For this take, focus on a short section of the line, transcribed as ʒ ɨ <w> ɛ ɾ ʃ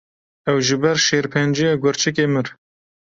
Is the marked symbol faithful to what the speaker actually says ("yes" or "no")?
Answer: no